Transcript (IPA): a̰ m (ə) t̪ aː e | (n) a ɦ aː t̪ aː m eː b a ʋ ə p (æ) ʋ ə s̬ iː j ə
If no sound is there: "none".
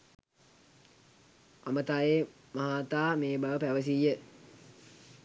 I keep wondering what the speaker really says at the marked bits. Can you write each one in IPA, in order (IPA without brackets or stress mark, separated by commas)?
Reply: ə, m, æ